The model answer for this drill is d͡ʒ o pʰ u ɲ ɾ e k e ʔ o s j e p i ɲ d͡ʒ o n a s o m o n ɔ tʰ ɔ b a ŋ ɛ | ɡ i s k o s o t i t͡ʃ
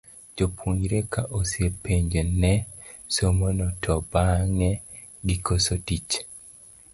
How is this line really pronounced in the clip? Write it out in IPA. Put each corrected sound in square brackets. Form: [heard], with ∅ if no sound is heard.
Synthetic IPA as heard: d͡ʒ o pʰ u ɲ ɾ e k [a] ʔ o s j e p [e] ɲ d͡ʒ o n [ɛ] s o m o n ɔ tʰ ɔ b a ŋ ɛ | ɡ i [∅] k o s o t i t͡ʃ